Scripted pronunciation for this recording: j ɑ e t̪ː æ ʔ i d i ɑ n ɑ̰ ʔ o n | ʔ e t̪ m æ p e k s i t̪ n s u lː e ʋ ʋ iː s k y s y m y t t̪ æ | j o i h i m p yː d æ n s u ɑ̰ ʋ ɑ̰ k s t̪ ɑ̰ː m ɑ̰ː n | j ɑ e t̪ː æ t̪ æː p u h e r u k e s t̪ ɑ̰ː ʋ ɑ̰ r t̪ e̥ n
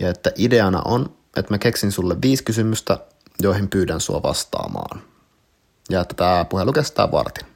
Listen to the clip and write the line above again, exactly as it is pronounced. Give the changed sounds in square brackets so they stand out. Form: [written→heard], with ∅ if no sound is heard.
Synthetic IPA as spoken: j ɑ e t̪ː æ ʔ i d [i→e] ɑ n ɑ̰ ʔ o n | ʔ e t̪ m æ [p→k] e k s i [t̪→∅] n s u lː e ʋ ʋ iː s k y s y m y [t→s] t̪ æ | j o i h i m p yː d æ n s u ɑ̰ ʋ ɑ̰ [k→∅] s t̪ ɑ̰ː m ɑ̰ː n | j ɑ e t̪ː æ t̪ æː p u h e [r→l] u k e s t̪ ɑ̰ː ʋ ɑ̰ r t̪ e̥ n